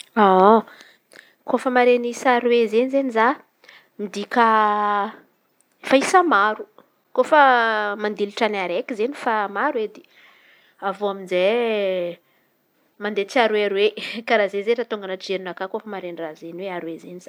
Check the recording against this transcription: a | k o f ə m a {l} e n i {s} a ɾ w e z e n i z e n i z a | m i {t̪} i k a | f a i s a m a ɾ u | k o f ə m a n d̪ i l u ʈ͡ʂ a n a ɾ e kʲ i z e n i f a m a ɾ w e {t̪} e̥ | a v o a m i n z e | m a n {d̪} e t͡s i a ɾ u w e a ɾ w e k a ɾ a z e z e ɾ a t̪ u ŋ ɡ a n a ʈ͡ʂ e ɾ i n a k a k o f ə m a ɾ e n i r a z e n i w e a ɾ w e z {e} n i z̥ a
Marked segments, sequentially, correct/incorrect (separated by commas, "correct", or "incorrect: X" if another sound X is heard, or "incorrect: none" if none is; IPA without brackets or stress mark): incorrect: ɾ, correct, incorrect: d̪, incorrect: d̪, correct, correct